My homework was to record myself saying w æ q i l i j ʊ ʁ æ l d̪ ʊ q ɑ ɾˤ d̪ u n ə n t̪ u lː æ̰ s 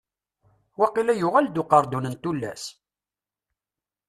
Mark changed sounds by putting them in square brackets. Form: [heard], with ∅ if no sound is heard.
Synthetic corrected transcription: w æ q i l [æ] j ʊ ʁ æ l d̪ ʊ q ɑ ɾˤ d̪ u n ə n t̪ u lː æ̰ s